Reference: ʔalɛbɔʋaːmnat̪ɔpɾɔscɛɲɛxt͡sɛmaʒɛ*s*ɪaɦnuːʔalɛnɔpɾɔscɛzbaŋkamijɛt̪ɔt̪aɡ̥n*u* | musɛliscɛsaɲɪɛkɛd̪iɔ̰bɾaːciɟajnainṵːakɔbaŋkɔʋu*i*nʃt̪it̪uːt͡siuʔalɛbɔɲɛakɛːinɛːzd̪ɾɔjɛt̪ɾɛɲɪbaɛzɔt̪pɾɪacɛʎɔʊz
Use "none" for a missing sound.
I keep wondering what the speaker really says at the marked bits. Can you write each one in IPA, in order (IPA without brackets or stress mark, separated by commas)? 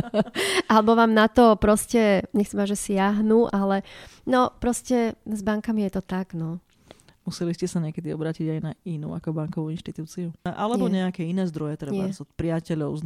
s, ɔ, i